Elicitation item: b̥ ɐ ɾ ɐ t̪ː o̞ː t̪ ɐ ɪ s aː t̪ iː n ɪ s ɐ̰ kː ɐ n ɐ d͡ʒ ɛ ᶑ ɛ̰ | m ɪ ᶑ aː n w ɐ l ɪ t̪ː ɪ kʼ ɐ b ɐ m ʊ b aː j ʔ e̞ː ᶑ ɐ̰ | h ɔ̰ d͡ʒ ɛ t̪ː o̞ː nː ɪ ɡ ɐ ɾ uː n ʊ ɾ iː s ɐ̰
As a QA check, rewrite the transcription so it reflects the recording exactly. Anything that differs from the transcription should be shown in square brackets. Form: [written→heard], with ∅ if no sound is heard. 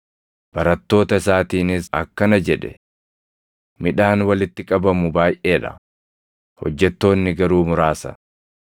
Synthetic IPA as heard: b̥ ɐ ɾ ɐ t̪ː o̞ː t̪ ɐ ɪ s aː t̪ iː n ɪ s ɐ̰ kː ɐ n ɐ d͡ʒ ɛ ᶑ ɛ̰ | m ɪ ᶑ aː n w ɐ l ɪ t̪ː ɪ kʼ ɐ b ɐ m ʊ b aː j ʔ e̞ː ᶑ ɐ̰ | h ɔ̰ [d͡ʒ→d͡ʒː] ɛ t̪ː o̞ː nː ɪ ɡ ɐ ɾ uː [n→m] ʊ ɾ [iː→aː] s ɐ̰